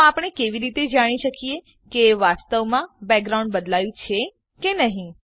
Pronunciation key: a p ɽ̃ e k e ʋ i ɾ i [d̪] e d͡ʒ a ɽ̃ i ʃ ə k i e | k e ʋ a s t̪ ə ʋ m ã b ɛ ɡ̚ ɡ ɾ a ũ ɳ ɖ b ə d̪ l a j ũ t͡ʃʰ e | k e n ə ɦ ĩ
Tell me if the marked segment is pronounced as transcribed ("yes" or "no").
no